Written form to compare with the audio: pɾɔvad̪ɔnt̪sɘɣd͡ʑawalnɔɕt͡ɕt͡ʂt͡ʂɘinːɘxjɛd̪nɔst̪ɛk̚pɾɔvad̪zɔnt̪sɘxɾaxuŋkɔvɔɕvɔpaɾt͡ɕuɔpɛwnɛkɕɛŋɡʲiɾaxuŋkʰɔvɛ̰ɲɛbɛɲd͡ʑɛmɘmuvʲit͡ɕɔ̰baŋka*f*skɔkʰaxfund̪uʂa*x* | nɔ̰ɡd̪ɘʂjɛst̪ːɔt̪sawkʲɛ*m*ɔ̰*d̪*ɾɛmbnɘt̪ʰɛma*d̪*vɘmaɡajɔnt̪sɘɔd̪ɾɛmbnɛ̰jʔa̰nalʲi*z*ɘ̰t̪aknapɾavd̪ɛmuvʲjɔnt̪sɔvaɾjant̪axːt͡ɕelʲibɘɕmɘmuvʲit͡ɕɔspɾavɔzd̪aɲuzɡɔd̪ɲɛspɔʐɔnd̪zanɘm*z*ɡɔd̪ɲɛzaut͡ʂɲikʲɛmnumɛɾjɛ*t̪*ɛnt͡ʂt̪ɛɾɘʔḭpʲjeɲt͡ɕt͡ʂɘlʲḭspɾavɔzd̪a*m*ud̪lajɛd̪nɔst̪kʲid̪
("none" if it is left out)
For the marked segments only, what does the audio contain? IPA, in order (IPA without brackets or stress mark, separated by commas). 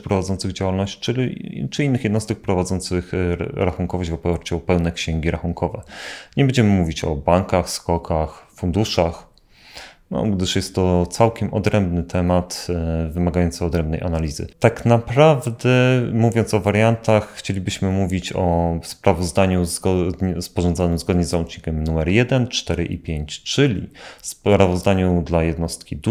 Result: x, x, m, d̪, t̪, z, z, d̪, ɲ